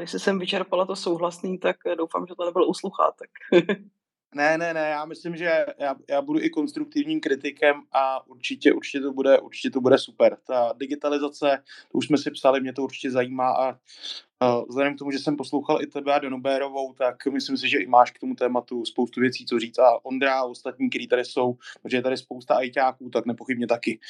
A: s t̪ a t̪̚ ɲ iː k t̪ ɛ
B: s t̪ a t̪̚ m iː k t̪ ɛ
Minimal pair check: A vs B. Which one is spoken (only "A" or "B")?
A